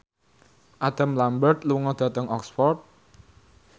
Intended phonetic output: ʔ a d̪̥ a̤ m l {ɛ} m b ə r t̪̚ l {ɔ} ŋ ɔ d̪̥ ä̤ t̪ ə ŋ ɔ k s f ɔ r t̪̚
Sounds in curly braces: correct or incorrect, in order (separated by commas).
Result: incorrect, incorrect